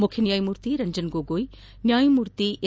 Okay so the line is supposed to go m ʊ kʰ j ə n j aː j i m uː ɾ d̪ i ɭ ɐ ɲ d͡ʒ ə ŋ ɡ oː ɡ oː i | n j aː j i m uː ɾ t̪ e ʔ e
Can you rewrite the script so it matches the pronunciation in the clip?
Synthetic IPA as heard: m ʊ kʰ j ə n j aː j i m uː ɾ t̪ i ɾ ɐ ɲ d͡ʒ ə n ɡ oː ɡ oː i | n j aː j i m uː ɾ t̪ i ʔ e